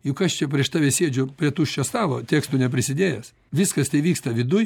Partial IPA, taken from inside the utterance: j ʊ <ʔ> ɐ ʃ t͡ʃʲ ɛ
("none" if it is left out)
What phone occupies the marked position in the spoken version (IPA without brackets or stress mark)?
k